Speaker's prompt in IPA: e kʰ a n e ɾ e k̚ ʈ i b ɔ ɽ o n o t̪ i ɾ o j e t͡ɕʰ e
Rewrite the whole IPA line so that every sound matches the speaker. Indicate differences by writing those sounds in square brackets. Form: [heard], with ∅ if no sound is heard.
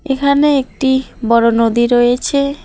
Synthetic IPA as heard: e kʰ a n e [∅] e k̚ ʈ i b ɔ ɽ o n o [d̪] i ɾ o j e t͡ɕʰ e